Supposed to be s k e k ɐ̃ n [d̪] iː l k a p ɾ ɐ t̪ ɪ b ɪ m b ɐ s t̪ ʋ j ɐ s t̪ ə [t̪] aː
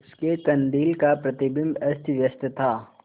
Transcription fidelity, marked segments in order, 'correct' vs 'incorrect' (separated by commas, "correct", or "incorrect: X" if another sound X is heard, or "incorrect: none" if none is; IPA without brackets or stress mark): correct, incorrect: t̪ʰ